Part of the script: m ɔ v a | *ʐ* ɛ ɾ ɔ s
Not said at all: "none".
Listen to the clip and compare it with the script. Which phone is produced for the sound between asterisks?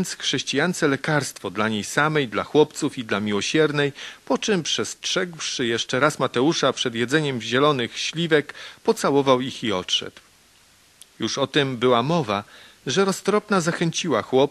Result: ʐ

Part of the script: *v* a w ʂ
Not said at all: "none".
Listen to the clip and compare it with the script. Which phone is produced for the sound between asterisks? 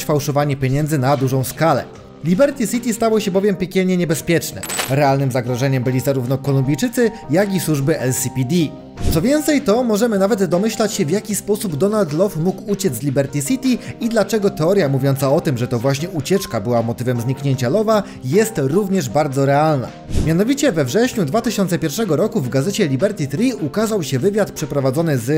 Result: f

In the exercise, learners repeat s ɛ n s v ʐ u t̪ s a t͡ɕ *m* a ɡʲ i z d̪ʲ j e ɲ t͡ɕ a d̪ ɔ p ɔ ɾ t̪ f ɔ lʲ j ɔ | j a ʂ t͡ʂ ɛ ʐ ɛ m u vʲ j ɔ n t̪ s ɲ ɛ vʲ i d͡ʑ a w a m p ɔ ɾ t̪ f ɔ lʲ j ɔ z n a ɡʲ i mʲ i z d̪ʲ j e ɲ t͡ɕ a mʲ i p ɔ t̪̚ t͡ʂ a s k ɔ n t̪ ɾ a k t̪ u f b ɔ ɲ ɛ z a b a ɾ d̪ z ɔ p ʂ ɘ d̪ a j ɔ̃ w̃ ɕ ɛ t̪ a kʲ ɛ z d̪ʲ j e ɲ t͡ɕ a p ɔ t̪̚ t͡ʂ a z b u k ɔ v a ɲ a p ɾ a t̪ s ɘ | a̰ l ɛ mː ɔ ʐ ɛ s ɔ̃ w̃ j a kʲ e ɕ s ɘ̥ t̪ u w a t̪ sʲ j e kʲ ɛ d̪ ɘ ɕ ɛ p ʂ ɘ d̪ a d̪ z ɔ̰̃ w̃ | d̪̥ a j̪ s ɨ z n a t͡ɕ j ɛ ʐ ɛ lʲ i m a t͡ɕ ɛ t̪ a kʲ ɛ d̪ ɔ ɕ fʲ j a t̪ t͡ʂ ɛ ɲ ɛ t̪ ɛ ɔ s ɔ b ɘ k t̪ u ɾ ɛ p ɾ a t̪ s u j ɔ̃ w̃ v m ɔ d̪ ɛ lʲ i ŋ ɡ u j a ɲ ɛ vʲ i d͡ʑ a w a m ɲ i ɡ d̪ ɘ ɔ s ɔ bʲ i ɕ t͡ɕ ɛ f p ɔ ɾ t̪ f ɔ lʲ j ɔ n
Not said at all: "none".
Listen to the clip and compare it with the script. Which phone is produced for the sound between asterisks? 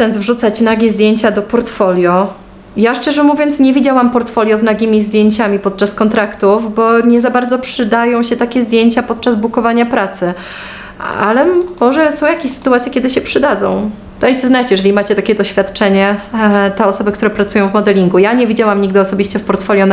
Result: n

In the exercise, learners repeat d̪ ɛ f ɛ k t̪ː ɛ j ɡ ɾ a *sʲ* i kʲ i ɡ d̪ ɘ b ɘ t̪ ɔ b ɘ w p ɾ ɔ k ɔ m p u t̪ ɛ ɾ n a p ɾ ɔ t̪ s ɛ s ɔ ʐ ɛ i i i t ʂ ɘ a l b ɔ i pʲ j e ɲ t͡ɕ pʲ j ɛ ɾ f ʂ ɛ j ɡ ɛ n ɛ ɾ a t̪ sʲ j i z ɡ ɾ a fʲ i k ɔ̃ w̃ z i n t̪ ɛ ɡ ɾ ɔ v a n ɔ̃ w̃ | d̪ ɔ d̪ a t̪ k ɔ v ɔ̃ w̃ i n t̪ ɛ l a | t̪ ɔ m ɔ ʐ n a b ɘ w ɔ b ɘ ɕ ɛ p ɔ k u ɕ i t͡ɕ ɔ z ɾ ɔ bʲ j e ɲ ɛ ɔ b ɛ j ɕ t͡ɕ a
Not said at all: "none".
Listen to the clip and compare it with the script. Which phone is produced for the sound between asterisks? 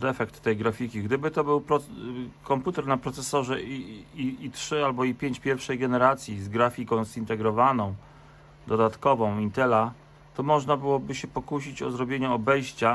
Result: fʲ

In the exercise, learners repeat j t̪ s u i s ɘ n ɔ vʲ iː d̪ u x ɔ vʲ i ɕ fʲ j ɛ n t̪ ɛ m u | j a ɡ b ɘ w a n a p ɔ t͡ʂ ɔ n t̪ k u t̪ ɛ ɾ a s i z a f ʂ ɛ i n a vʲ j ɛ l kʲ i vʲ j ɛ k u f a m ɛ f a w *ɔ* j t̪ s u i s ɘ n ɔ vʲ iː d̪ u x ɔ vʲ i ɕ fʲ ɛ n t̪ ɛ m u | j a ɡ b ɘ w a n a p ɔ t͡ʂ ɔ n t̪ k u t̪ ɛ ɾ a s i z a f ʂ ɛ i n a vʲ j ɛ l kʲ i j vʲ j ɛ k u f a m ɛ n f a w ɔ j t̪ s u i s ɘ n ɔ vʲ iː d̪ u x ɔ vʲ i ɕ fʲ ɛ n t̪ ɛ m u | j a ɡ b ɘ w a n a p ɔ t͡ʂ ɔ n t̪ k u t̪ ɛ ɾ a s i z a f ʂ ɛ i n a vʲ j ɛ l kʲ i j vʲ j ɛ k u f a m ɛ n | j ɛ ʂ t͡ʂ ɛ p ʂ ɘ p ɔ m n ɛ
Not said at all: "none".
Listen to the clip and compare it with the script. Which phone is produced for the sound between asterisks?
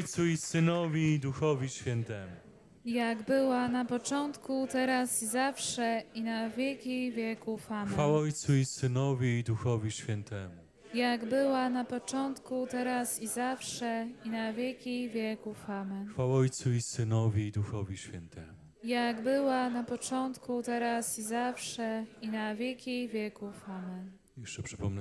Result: ɔ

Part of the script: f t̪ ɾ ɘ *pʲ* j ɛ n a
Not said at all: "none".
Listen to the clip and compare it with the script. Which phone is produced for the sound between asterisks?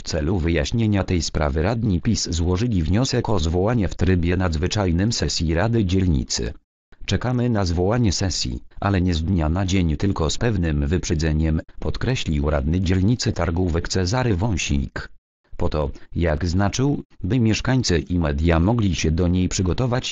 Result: bʲ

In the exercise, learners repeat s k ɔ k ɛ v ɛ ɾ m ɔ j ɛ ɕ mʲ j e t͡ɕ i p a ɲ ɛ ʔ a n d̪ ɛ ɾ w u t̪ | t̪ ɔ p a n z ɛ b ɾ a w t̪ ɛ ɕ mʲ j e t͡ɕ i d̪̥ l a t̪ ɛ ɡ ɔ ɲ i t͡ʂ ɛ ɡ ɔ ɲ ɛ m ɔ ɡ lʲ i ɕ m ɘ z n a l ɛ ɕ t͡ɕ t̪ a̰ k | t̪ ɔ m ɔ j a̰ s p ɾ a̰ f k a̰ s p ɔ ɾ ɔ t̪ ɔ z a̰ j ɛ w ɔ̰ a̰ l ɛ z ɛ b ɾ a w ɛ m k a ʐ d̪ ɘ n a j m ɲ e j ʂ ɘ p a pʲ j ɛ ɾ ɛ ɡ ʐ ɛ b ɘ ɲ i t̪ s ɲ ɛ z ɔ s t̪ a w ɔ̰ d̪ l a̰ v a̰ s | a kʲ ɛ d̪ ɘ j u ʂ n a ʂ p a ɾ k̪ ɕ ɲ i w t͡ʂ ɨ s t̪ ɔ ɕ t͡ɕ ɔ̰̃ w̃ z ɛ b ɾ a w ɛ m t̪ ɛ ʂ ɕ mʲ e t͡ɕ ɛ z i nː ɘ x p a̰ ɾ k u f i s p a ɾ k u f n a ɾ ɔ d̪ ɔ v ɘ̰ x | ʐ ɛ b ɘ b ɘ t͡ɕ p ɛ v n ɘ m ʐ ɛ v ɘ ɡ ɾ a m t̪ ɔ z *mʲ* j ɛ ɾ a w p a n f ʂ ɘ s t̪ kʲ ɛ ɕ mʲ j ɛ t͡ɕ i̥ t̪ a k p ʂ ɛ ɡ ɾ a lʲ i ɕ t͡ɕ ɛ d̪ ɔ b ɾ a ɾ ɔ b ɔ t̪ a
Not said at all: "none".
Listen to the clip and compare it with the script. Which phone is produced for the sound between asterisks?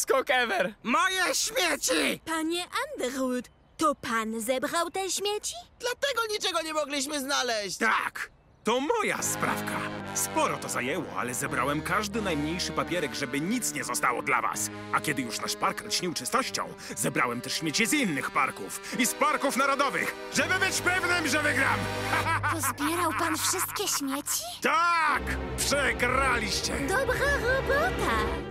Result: bʲ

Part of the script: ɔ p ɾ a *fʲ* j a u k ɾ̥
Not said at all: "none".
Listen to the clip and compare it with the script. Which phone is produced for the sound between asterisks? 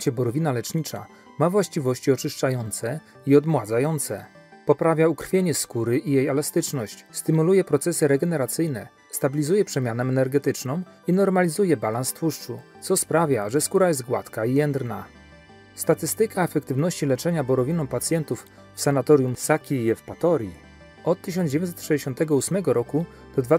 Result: vʲ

